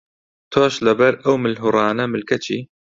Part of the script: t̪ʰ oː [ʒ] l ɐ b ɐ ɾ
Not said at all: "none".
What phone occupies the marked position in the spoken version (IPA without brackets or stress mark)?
ʃ